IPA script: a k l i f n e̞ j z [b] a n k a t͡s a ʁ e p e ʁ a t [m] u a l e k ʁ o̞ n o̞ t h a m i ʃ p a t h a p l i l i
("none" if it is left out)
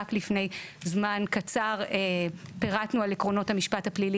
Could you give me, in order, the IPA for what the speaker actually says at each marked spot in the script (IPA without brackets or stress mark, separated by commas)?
m, n